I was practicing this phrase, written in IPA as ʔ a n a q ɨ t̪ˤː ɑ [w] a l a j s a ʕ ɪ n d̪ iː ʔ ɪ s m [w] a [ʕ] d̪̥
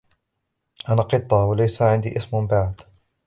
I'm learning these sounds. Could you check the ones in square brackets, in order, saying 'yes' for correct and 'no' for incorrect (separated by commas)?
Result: yes, no, yes